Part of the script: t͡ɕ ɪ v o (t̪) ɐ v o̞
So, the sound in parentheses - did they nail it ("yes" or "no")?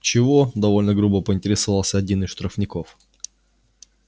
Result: no